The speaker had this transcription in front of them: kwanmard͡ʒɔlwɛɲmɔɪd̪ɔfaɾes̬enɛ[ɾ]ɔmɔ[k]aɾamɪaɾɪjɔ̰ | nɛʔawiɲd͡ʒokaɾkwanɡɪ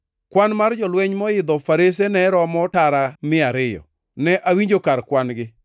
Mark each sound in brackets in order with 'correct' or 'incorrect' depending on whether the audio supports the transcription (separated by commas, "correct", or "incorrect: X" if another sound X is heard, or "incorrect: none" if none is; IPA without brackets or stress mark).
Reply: correct, incorrect: t